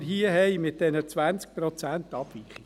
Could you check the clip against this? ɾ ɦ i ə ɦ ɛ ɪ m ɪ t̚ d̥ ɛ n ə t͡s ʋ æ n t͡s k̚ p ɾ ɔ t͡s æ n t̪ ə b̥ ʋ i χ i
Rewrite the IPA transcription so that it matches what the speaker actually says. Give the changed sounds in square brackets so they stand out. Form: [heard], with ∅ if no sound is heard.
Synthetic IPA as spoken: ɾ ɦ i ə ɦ ɛ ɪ m ɪ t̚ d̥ ɛ n ə t͡s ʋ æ n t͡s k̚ p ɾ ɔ t͡s æ n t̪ [ɑ] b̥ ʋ i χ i